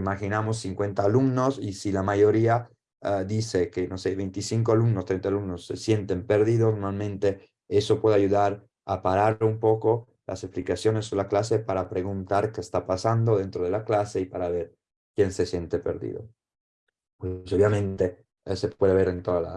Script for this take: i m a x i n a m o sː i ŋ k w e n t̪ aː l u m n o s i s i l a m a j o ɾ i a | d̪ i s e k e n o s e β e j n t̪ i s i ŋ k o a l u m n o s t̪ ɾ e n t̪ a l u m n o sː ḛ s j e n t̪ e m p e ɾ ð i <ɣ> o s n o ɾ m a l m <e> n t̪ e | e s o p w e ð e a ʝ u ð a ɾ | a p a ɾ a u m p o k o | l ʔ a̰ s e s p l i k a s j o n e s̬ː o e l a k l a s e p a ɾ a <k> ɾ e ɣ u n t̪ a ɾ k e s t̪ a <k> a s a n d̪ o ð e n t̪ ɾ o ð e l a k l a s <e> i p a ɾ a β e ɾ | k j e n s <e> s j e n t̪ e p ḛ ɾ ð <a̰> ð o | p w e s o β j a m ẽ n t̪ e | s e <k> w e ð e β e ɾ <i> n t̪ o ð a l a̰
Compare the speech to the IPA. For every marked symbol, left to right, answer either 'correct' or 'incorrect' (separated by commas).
incorrect, incorrect, incorrect, incorrect, correct, correct, incorrect, incorrect, incorrect